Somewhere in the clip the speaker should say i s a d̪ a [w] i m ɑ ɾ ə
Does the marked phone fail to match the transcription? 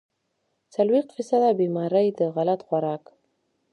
yes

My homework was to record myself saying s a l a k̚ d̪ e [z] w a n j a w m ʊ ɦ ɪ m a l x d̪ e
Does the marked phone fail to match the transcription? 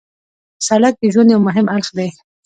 yes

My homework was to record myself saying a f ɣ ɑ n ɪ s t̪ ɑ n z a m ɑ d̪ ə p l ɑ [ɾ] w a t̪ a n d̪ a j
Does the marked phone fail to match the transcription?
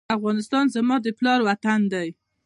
no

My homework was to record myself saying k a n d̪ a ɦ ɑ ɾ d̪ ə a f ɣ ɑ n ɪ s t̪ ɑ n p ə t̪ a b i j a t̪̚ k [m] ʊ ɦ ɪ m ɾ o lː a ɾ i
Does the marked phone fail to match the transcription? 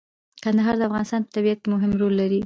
no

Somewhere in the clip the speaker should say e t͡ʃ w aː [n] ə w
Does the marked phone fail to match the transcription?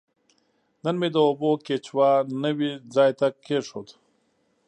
no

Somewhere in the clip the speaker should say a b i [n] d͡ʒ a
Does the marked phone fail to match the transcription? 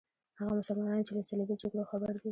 yes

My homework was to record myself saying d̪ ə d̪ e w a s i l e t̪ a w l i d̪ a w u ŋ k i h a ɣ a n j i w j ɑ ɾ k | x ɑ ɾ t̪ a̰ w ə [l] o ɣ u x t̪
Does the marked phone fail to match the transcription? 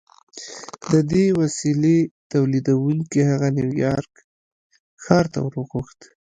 yes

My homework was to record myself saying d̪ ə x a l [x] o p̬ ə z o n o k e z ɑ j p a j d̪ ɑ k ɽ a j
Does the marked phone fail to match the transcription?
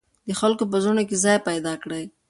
yes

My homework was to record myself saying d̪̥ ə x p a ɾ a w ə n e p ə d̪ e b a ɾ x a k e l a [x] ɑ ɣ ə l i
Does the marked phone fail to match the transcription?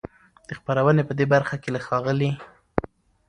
no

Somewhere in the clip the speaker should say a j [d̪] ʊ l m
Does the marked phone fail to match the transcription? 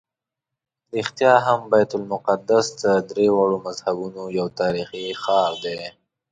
yes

